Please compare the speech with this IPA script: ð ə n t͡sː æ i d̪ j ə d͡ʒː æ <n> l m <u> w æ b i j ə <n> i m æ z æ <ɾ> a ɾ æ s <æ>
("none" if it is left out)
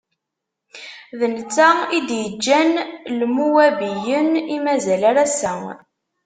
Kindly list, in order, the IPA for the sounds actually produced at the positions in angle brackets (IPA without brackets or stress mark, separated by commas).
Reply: n, u, n, l, æ